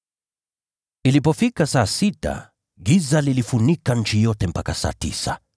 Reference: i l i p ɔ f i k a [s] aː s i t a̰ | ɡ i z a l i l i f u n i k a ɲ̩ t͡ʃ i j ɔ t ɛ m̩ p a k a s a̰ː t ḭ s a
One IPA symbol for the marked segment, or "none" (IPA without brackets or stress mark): s